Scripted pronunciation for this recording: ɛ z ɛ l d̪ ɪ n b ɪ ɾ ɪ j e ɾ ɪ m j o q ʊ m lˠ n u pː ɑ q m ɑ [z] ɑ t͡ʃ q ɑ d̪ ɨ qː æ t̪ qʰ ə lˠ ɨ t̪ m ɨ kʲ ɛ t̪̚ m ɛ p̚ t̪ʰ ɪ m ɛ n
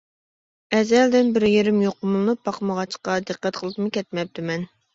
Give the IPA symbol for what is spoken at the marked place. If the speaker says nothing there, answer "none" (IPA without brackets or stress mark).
ʁ